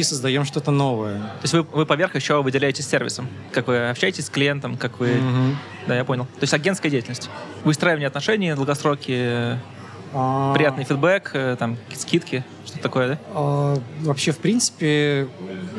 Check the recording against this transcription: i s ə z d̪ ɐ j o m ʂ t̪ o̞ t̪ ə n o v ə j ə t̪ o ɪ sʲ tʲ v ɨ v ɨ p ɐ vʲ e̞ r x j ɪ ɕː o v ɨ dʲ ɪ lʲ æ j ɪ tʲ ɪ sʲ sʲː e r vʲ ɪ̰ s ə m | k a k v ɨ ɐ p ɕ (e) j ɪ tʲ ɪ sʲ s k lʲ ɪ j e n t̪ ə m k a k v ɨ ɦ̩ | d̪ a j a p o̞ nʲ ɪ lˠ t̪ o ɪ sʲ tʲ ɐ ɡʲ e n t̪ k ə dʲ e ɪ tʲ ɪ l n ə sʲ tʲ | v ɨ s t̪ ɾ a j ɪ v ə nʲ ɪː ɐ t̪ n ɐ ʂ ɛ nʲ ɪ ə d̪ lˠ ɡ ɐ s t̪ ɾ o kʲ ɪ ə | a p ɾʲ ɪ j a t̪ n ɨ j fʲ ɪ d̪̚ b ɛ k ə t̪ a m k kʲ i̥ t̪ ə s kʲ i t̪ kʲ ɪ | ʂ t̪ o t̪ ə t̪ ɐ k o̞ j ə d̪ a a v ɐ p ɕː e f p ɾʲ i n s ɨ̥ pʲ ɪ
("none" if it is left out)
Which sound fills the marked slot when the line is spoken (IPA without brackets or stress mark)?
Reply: æ